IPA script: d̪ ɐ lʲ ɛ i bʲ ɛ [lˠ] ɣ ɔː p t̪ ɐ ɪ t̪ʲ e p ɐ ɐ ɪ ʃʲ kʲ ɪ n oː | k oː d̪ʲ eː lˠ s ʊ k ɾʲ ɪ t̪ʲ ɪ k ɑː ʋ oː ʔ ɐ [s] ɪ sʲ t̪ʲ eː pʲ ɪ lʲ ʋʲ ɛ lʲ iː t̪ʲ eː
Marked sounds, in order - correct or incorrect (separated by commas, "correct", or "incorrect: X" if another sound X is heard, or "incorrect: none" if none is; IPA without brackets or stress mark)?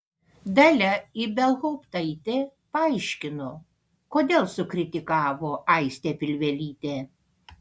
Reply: correct, incorrect: none